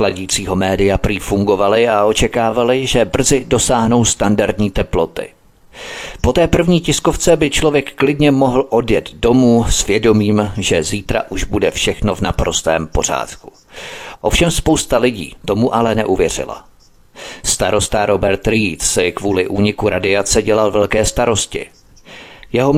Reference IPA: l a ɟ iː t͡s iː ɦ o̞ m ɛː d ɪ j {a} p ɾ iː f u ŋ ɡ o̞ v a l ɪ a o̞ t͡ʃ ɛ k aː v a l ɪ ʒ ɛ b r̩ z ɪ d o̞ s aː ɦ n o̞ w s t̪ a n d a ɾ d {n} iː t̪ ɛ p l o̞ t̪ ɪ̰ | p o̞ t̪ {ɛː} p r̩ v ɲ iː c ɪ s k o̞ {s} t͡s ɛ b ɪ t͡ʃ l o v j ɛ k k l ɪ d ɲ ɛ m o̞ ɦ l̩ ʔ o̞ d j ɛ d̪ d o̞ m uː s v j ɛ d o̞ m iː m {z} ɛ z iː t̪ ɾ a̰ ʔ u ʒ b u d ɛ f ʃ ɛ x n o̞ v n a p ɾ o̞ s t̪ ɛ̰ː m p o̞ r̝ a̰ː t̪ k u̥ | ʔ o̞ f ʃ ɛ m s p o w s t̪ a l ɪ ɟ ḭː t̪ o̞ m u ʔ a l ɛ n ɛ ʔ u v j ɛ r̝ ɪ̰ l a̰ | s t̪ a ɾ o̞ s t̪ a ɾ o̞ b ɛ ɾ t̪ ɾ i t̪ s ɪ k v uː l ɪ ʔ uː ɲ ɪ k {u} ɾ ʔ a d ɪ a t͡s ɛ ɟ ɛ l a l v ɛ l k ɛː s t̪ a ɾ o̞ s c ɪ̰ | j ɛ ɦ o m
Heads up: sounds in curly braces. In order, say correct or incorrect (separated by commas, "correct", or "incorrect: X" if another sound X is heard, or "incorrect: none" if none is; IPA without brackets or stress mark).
correct, incorrect: ɲ, correct, incorrect: f, incorrect: ʒ, correct